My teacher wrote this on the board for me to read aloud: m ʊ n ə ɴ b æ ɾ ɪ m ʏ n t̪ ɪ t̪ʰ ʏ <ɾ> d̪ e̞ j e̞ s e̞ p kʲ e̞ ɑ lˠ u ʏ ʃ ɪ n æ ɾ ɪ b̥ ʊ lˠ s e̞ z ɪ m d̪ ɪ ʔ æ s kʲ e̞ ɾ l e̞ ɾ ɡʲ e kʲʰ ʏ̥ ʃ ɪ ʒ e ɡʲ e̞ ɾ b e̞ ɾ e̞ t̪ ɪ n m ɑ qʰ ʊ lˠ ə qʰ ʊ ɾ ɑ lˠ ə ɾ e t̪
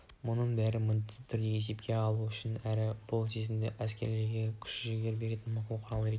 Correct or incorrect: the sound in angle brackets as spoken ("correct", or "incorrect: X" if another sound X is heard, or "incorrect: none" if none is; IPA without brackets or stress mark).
correct